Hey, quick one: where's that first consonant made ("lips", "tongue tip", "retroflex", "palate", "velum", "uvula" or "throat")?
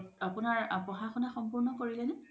lips